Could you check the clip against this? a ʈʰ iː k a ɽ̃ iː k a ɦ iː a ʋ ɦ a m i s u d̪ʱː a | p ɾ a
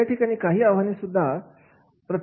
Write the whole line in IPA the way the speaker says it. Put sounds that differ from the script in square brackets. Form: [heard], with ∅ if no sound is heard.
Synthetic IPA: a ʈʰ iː k a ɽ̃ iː k a ɦ iː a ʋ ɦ a [n] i s u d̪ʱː a | p ɾ [ə]